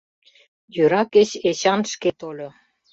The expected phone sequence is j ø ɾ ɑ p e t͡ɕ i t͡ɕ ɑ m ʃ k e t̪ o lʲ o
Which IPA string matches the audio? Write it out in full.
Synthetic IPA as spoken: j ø ɾ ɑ k e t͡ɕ e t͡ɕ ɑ n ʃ k e t̪ o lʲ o